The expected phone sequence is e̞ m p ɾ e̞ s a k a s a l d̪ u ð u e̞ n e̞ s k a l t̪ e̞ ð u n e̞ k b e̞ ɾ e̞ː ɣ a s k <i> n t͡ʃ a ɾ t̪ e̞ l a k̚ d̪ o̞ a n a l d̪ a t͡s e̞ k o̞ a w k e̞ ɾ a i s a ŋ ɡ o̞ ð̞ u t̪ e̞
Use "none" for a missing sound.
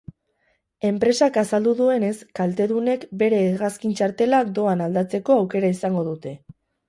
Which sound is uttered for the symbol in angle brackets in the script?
i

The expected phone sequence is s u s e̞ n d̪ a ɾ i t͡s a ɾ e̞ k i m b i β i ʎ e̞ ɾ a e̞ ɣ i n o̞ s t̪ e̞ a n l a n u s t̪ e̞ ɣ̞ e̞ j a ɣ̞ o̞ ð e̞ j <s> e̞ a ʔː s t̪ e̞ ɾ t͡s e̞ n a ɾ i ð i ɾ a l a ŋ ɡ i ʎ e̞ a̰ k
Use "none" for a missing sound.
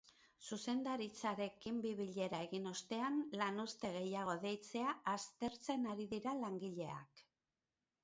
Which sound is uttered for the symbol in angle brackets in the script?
t͡s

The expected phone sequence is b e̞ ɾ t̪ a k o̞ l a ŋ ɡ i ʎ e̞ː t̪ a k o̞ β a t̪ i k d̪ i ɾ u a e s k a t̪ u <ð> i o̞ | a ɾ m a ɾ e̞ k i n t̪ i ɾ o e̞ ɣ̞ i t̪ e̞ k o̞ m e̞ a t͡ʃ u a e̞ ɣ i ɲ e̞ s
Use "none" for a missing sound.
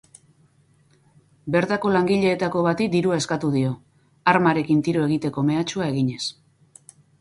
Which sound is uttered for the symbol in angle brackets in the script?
ð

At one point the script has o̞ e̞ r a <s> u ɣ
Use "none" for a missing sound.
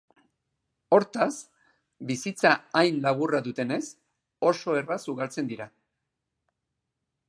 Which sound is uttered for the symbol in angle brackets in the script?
s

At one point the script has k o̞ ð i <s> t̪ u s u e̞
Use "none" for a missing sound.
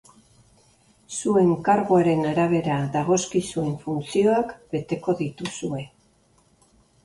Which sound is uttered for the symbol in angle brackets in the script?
none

